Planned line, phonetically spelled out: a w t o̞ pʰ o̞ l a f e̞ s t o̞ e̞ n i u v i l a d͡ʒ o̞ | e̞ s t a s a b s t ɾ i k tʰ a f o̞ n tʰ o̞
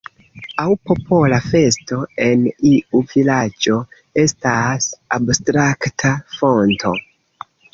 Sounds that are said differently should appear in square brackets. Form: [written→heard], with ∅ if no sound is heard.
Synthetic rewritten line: a w [t→p] o̞ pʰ o̞ l a f e̞ s t o̞ e̞ n i u v i l a d͡ʒ o̞ | e̞ s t a s a b s t ɾ [i→a] k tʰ a f o̞ n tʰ o̞